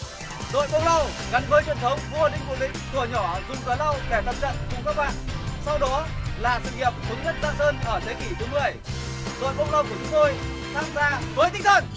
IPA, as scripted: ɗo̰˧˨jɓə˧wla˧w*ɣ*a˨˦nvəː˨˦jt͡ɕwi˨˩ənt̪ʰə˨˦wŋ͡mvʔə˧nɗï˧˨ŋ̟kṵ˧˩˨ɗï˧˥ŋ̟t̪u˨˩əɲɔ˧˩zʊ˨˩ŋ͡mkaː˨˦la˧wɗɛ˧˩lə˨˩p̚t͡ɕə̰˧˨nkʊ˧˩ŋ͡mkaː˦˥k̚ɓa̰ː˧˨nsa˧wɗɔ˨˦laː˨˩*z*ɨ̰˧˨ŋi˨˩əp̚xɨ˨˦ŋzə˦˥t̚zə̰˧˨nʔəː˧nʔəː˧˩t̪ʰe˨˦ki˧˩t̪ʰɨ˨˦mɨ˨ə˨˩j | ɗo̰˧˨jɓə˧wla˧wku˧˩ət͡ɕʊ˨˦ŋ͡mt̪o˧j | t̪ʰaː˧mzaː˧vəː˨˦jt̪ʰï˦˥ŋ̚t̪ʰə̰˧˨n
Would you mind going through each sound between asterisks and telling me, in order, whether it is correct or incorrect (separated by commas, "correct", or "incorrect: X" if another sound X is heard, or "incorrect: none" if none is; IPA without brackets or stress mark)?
correct, incorrect: s